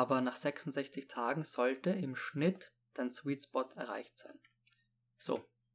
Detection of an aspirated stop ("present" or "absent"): present